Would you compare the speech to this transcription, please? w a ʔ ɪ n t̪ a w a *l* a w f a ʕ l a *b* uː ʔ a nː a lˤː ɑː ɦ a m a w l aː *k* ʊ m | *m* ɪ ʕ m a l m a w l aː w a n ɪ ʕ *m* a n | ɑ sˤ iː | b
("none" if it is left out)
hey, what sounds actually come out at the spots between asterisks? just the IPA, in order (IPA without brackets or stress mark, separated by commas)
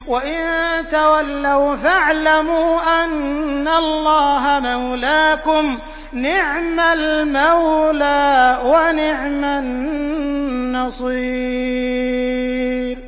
lː, m, k, n, m